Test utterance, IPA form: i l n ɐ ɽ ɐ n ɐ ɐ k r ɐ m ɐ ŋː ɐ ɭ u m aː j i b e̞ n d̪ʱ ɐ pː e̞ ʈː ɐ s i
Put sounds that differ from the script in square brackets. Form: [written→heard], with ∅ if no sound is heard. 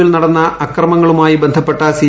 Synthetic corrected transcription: i l n ɐ ɽ ɐ [n→nː] ɐ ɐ k r ɐ m ɐ ŋː ɐ ɭ u m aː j i b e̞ n d̪ʱ ɐ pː e̞ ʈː ɐ s i